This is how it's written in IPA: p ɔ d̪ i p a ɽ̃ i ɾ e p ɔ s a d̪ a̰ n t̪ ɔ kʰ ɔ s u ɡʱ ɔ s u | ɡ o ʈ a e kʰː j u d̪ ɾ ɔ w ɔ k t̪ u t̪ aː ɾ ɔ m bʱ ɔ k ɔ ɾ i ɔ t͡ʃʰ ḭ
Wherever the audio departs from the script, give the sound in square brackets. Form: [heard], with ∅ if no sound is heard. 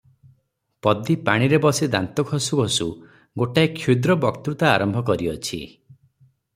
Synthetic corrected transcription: p ɔ d̪ i p a ɽ̃ i ɾ e [b] ɔ s [i] d̪ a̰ n t̪ ɔ kʰ ɔ s u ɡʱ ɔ s u | ɡ o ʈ a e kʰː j u d̪ ɾ ɔ [b] ɔ k t̪ u t̪ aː ɾ ɔ m bʱ ɔ k ɔ ɾ i ɔ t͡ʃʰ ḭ